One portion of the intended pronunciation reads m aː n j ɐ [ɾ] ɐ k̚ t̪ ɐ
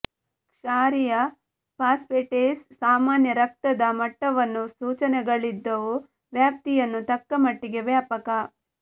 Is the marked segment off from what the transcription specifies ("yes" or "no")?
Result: no